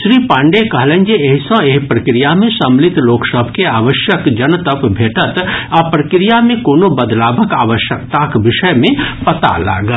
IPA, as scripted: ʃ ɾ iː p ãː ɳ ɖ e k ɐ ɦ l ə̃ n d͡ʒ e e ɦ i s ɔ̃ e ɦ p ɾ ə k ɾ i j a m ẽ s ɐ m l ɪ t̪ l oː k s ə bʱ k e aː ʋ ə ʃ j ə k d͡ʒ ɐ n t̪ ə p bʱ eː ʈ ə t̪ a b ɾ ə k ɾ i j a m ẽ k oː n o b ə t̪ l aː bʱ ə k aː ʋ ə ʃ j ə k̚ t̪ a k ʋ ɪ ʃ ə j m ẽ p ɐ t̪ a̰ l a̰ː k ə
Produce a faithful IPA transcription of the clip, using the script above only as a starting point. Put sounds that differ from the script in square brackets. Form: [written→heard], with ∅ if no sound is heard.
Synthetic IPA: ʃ ɾ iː p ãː ɳ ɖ e k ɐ ɦ l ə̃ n d͡ʒ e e ɦ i s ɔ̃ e ɦ p ɾ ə k ɾ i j a m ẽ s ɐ m l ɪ t̪ l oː k s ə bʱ k e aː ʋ ə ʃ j ə k d͡ʒ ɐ n t̪ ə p bʱ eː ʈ ə t̪ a [b→p] ɾ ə k ɾ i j a m ẽ k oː n o b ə [t̪→d̪] l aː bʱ ə k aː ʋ ə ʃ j ə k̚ t̪ a k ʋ ɪ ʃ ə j m ẽ p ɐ t̪ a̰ l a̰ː [k→ɡ] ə